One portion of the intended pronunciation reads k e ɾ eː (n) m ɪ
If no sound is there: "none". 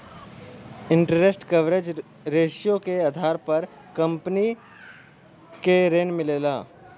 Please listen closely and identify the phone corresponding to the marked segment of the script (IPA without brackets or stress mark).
n